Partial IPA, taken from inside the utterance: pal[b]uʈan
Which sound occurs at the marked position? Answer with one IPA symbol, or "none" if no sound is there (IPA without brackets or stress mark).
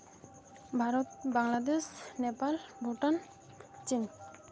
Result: b